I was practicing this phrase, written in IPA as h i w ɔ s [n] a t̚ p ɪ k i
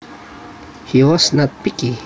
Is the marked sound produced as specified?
yes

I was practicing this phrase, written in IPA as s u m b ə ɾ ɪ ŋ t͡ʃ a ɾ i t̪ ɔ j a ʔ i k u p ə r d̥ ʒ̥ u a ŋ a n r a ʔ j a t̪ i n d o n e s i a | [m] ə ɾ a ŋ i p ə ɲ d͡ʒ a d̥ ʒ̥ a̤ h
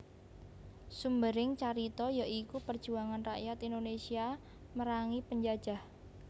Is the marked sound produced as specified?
yes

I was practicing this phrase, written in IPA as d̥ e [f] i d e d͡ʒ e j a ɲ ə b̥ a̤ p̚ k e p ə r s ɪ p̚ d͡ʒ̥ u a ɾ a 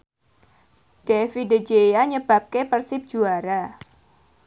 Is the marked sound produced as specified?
yes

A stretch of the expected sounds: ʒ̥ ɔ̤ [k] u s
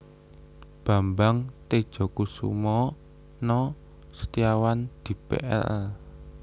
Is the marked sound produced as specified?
yes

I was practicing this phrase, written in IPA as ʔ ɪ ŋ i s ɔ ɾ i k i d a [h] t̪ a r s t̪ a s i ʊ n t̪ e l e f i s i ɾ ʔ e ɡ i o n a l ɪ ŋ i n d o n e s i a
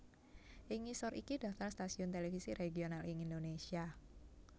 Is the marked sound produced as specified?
no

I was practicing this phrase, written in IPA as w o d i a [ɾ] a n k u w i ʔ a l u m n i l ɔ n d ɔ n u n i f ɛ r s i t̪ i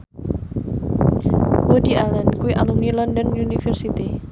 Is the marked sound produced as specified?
no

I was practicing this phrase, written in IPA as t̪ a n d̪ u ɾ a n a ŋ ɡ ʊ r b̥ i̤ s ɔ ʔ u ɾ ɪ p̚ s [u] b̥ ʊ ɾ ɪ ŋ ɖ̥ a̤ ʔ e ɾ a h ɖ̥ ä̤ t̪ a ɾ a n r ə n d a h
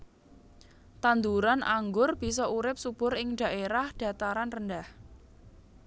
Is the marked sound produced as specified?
yes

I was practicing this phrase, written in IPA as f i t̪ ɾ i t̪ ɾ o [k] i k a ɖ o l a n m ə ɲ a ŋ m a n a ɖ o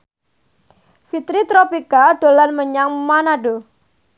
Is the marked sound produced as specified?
no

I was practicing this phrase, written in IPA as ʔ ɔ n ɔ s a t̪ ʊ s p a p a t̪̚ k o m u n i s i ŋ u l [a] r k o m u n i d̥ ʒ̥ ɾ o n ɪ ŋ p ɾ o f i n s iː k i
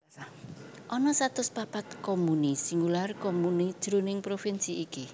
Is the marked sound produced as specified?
yes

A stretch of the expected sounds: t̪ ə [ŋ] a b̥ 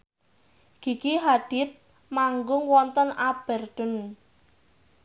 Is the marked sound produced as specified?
no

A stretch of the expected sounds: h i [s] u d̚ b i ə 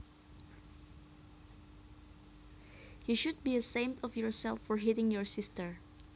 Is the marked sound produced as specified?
no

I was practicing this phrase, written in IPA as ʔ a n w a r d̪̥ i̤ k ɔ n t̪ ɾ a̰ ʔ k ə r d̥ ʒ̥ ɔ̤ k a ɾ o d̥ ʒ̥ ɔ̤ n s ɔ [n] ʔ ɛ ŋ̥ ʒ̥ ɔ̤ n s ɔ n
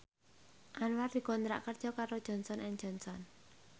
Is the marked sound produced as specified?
yes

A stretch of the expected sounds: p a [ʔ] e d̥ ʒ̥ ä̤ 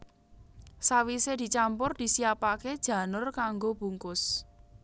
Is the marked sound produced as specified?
no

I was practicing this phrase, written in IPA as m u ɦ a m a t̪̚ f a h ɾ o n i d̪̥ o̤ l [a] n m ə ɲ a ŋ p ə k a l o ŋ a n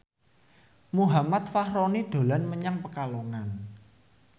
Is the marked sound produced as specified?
yes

